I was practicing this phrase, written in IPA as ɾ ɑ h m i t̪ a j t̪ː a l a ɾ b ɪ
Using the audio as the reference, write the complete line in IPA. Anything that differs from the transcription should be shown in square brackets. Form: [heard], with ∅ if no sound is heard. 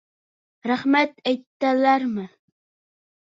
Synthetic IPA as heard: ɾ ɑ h m [a] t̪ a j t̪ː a l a ɾ [m] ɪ